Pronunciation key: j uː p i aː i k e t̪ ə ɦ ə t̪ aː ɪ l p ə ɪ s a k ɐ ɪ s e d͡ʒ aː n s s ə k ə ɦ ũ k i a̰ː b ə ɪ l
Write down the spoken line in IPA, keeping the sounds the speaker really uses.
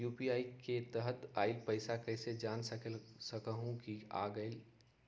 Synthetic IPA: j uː p i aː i k e t̪ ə ɦ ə t̪ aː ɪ l p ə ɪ s a k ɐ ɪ s e d͡ʒ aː n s s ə k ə ɦ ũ k i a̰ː ɡ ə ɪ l